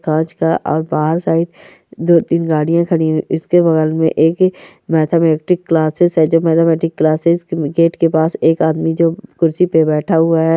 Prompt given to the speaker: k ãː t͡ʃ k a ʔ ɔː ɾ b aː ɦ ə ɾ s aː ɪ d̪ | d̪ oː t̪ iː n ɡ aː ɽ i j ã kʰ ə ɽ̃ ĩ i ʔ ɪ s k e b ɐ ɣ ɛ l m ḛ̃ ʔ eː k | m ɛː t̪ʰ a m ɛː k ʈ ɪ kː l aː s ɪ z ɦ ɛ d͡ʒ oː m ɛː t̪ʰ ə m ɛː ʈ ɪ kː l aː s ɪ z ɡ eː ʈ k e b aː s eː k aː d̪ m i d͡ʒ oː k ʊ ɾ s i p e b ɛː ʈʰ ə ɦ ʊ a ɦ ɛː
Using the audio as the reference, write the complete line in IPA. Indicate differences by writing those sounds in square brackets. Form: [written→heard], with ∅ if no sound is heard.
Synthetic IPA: k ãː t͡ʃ k a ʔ ɔː ɾ b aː ɦ ə ɾ s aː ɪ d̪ | d̪ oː t̪ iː n ɡ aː ɽ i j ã kʰ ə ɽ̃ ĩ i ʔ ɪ s k e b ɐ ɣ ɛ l m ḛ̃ ʔ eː k | m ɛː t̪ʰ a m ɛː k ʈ ɪ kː l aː s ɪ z ɦ ɛ d͡ʒ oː m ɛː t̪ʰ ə m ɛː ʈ ɪ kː l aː s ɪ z ɡ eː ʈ k e [b→p] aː s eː k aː d̪ m i d͡ʒ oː k ʊ ɾ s i p e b ɛː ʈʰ [ə→a] ɦ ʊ a ɦ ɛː

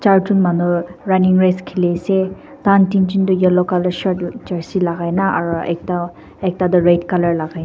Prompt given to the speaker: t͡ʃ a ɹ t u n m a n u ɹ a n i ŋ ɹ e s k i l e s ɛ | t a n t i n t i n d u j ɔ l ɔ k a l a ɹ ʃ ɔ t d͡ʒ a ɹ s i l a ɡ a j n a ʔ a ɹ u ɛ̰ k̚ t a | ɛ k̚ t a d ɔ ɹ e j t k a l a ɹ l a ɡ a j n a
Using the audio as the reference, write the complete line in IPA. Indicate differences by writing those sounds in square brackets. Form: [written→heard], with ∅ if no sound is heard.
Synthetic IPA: t͡ʃ a ɹ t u n m a n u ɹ a n i ŋ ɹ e s [k→kʰ] i l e s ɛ | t a n t i n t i n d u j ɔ l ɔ k a l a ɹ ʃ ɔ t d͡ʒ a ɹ s i l a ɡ a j n a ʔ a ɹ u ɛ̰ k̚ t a | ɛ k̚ t a d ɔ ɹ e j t k a l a ɹ l a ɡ a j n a

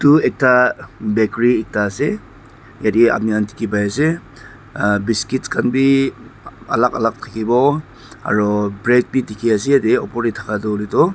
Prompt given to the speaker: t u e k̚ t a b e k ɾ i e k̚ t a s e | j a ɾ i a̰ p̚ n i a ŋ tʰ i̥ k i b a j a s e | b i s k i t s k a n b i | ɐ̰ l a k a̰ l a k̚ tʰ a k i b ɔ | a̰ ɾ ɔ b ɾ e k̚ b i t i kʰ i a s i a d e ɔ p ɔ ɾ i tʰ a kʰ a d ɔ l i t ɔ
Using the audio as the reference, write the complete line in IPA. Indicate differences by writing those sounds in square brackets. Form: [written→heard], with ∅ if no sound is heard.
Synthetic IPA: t u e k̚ t a b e k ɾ i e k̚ t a s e | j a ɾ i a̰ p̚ n i a [ŋ→n] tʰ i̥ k i b a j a s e | b i s k i t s k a n b i | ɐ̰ l a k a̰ l a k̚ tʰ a k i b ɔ | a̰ ɾ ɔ b ɾ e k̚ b i t i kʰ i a s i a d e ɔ p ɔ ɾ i tʰ a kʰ a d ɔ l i t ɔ

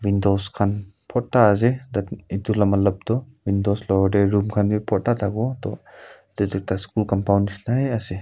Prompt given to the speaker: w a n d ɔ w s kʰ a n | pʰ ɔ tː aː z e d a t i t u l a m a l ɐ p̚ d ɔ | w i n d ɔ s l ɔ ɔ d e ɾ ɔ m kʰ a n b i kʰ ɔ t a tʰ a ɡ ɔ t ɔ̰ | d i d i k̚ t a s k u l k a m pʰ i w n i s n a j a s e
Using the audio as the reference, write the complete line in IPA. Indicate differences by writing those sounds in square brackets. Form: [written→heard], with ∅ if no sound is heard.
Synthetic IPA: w [a→i] n d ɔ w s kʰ a n | pʰ ɔ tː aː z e d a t i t u l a m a l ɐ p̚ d ɔ | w i n d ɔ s l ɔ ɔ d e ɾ [ɔ→u] m kʰ a n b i [kʰ→pʰ] ɔ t a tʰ a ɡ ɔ t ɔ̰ | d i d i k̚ t a s k u l k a m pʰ [i→a] w n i s n a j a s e

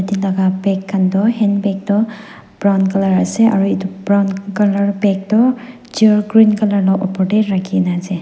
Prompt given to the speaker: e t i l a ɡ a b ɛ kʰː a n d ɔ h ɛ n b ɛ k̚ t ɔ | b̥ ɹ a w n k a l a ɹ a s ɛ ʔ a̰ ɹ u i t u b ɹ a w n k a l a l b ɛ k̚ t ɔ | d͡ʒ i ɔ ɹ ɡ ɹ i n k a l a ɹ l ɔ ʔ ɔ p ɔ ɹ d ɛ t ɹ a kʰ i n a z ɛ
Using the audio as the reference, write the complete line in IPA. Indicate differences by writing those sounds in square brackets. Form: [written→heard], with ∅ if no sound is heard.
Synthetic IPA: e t i l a ɡ a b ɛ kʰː a n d ɔ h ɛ n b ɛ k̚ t ɔ | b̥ ɹ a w n k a l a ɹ a s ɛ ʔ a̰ ɹ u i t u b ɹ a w n k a l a [l→ɹ] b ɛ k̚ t ɔ | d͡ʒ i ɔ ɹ ɡ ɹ i n k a l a ɹ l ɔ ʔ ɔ p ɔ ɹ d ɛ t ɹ a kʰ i n a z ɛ

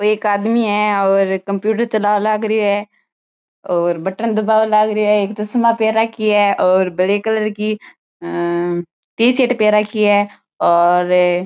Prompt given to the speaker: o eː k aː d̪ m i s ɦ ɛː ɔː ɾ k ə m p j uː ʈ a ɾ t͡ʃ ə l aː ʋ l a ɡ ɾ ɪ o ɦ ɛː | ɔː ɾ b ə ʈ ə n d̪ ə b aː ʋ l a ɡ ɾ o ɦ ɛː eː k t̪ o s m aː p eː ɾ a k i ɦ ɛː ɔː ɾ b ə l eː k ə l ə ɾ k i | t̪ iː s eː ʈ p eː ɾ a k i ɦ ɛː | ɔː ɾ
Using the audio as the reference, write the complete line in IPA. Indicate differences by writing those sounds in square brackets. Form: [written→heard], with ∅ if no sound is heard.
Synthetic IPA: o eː k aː d̪ m i [s→∅] ɦ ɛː ɔː ɾ k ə m p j uː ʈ [a→ə] ɾ t͡ʃ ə l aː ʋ l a ɡ ɾ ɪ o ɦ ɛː | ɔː ɾ b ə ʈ ə n d̪ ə b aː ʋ l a ɡ ɾ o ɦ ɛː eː k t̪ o s m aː p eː ɾ a k i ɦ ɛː ɔː ɾ b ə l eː k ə l ə ɾ k i | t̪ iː s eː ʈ p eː ɾ a k i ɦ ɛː | ɔː ɾ

